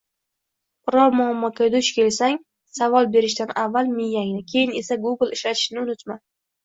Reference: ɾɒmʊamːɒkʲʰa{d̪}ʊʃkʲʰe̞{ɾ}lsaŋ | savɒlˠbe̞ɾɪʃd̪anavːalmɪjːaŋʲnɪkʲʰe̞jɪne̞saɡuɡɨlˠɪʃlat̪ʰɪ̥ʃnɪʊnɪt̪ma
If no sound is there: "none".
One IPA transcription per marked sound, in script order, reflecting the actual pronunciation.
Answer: d̪, none

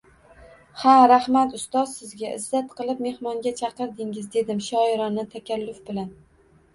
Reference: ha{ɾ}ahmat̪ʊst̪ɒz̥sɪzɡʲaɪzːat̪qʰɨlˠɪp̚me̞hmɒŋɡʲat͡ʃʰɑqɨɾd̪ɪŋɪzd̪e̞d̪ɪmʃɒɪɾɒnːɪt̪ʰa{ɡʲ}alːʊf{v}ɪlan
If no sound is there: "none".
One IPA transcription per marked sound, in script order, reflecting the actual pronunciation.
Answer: ɾ, kʲ, b

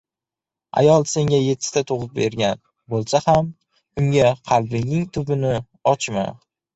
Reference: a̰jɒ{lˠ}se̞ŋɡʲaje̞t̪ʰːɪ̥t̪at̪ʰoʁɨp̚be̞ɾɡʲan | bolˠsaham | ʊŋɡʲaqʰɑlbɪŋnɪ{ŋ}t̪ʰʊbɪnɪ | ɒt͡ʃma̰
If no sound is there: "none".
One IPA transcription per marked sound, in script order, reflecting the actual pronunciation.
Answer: lˠ, ŋ

